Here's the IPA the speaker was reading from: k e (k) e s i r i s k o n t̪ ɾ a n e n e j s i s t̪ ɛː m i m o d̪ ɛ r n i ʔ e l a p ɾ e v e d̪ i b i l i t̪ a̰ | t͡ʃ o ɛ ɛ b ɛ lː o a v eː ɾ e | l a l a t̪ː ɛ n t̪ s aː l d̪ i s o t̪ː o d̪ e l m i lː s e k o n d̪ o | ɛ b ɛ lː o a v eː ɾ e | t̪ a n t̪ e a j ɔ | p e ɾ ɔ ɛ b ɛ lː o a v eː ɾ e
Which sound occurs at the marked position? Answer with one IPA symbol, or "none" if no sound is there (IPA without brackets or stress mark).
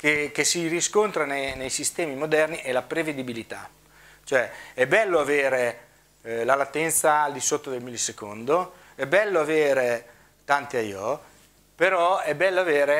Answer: k